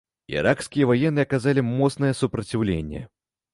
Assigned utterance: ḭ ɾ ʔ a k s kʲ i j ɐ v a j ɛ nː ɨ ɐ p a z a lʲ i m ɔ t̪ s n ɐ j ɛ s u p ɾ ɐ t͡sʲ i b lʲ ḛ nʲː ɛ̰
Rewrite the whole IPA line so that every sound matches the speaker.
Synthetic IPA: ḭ ɾ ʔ a k s kʲ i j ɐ v a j ɛ nː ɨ ɐ k a z a lʲ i m ɔ t̪ s n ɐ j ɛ s u p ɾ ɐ t͡sʲ i w lʲ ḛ nʲː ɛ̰